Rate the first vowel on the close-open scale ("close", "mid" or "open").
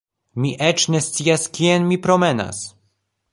close